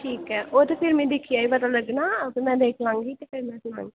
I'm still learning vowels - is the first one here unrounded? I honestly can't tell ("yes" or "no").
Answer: yes